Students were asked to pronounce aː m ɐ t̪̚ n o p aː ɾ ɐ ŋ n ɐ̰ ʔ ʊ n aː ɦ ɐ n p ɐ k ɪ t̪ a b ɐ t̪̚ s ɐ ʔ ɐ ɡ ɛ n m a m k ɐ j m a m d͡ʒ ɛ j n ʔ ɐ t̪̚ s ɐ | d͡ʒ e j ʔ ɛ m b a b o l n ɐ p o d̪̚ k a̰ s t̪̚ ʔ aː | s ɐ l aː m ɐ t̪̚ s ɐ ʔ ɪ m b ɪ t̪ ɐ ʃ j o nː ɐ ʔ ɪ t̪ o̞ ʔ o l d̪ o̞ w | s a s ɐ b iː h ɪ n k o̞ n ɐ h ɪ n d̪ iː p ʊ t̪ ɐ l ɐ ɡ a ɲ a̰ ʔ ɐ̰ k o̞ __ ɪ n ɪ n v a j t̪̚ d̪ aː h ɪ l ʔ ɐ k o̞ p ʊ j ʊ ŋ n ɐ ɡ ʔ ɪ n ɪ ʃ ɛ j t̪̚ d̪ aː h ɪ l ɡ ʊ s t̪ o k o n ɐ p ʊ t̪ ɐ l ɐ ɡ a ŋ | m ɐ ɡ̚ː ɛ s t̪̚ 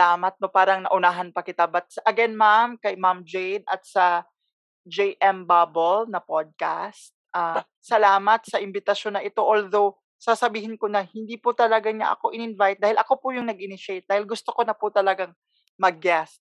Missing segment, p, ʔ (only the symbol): ʔ